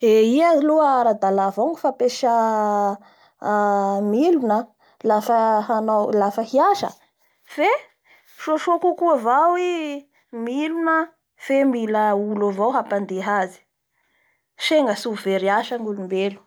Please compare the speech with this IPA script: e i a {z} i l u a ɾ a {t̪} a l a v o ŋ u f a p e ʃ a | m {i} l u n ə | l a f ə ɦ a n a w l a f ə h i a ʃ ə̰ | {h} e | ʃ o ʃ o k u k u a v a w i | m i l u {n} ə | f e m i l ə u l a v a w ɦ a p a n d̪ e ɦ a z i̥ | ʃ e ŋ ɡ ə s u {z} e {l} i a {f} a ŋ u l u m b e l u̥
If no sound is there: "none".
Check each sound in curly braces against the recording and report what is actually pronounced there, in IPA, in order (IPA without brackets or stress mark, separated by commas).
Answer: z, d̪, i, f, n, v, ɾ, ʃ